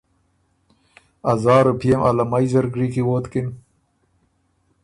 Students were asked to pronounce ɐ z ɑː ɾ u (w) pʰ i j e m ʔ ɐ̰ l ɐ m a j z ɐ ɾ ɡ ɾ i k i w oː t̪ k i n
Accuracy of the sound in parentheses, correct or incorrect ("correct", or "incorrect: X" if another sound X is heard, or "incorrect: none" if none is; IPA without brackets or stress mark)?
incorrect: none